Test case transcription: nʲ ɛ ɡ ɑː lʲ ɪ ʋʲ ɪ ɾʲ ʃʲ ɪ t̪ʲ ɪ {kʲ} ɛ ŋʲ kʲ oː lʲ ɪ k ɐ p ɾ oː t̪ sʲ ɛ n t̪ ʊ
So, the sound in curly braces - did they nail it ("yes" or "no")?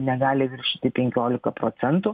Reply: no